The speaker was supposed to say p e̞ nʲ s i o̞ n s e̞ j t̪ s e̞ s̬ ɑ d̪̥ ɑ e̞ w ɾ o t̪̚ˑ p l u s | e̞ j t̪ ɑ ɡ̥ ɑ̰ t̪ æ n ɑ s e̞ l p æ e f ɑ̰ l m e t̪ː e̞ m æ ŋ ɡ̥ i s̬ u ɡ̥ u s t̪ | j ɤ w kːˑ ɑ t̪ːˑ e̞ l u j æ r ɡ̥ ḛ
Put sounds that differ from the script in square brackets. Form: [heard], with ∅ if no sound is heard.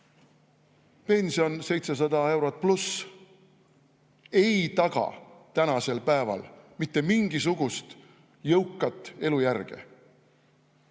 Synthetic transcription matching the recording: p e̞ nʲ s i o̞ n s e̞ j t̪ s e̞ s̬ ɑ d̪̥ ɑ e̞ w ɾ o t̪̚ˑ p l u s | e̞ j t̪ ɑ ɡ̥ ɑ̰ t̪ æ n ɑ s e̞ l p æ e [v] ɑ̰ l m [i] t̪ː e̞ m [i] ŋ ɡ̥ i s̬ u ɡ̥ u s t̪ | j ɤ w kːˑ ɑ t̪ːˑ e̞ l u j æ r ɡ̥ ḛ